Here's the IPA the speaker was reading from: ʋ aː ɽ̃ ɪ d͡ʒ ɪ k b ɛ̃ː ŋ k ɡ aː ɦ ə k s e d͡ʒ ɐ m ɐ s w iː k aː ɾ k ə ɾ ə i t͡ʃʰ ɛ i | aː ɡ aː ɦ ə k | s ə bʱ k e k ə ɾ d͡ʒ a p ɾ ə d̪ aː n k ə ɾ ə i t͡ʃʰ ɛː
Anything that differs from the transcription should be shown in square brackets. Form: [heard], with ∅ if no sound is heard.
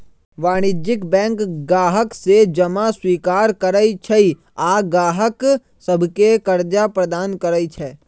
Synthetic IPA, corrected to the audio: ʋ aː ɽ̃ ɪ d͡ʒ ɪ k b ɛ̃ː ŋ k ɡ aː ɦ ə k s e d͡ʒ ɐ m [a] s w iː k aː ɾ k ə ɾ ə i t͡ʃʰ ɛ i | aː ɡ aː ɦ ə k | s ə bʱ k e k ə ɾ d͡ʒ a p ɾ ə d̪ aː n k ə ɾ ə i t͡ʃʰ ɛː